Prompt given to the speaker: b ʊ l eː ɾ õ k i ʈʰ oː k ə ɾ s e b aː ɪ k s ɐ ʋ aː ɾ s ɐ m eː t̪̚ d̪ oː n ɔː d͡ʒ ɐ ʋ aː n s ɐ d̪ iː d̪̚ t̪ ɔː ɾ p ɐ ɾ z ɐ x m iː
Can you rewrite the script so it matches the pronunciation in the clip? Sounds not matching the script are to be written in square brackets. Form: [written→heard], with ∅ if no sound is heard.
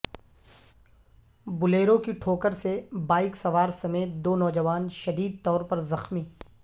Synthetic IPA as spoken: b ʊ l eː ɾ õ k i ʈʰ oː k ə ɾ s e b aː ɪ k s ɐ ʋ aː ɾ s ɐ m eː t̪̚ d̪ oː n ɔː d͡ʒ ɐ ʋ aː n [s→ʃ] ɐ d̪ iː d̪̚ t̪ ɔː ɾ p ɐ ɾ z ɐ x m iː